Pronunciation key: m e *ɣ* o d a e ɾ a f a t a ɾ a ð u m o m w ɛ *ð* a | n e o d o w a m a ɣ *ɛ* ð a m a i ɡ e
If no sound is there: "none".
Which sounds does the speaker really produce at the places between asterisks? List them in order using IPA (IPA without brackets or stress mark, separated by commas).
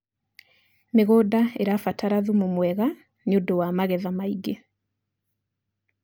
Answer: ɣ, ɣ, ɛ